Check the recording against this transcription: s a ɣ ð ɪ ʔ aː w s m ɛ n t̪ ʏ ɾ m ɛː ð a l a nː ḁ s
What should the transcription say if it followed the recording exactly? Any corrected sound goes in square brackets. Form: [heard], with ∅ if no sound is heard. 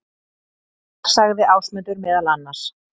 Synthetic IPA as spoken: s a ɣ ð ɪ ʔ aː w s m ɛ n t̪ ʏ ɾ m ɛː ð a l a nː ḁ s